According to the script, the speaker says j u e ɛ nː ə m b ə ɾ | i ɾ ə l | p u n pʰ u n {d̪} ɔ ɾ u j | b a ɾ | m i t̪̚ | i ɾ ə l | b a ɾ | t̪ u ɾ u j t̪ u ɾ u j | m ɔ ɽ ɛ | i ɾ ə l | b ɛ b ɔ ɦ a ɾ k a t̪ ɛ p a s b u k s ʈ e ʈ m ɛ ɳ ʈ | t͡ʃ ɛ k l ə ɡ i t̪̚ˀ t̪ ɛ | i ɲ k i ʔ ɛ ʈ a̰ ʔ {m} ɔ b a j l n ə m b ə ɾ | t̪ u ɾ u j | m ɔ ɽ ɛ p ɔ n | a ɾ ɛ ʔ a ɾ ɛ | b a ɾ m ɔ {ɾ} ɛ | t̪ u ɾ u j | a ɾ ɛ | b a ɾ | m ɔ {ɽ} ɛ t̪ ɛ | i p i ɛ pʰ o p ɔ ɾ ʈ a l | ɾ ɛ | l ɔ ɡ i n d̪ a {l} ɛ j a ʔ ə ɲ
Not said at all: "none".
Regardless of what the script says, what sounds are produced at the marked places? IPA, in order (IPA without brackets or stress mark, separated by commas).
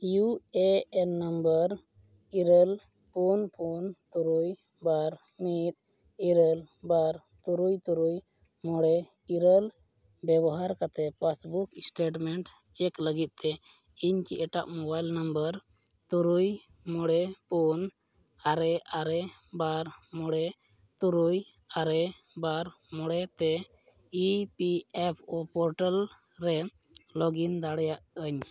t̪, m, ɽ, ɽ, ɽ